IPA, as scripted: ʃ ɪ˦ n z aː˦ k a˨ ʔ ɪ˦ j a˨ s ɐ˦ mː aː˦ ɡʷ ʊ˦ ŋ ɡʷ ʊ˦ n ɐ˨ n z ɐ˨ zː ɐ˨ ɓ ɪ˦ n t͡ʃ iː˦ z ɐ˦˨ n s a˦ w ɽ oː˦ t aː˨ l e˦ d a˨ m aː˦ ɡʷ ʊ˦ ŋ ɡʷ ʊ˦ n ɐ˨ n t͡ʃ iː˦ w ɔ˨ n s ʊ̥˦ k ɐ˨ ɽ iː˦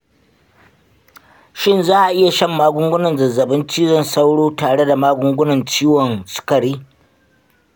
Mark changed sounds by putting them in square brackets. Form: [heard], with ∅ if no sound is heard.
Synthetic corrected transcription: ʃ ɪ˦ n z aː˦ [ʔ] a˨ ʔ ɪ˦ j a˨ [ʃ] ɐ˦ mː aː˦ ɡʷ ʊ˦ ŋ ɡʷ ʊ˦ n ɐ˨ n z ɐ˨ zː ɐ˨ [b] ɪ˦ n t͡ʃ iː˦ z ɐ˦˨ n s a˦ w ɽ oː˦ t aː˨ [ɽ] e˦ d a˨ m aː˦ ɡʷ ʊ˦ ŋ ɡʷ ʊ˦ n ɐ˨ n t͡ʃ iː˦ w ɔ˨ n s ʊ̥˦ k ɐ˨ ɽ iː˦